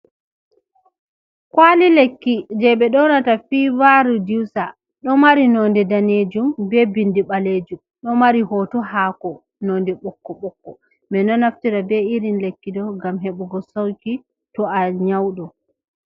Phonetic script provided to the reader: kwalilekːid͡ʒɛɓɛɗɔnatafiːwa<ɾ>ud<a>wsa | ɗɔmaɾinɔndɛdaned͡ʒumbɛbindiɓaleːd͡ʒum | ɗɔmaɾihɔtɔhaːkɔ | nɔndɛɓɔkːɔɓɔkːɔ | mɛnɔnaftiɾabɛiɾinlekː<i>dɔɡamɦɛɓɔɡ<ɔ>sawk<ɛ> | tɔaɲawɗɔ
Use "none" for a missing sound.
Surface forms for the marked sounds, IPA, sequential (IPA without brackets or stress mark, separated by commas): ɾ, i, i, ɔ, i